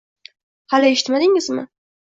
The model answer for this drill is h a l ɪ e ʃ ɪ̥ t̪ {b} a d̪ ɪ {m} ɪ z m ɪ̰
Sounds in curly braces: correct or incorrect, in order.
incorrect, incorrect

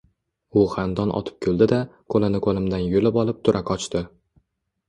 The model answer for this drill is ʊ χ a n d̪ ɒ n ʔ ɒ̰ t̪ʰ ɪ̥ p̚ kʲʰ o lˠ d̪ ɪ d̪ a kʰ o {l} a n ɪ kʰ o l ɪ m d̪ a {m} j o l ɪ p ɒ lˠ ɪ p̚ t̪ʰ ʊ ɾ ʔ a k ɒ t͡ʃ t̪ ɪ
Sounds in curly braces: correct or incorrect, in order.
correct, incorrect

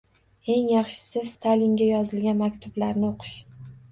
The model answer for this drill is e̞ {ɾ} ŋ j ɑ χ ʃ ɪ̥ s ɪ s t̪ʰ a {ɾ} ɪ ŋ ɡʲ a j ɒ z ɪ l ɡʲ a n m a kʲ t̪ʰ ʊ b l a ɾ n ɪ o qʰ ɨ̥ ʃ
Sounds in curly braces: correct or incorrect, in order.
incorrect, incorrect

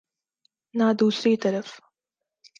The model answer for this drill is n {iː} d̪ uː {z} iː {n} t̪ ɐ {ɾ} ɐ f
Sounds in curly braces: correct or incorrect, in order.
incorrect, incorrect, incorrect, correct

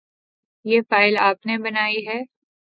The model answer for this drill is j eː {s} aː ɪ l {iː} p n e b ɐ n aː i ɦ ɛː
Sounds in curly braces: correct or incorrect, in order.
incorrect, incorrect

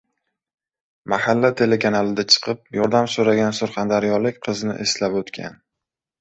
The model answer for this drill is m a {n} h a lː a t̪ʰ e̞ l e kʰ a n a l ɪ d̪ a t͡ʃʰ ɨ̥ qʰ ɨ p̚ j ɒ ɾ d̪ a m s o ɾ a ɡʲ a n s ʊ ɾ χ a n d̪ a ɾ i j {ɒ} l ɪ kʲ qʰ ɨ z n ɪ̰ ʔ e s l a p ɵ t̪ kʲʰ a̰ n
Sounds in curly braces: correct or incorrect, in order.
incorrect, correct

